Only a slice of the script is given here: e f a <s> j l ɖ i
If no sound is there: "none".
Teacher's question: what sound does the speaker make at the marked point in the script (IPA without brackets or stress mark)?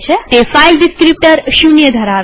none